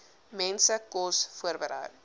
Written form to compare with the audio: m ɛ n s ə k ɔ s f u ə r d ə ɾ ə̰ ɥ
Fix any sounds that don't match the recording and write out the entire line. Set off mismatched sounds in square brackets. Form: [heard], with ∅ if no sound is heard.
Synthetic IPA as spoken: m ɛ n s ə k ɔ s f u ə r [b] ə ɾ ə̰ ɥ